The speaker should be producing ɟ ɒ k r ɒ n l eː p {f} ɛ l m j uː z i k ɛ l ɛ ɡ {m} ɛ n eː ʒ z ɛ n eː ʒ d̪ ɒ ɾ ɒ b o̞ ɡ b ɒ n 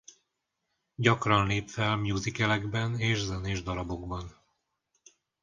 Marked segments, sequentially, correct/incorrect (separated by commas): correct, incorrect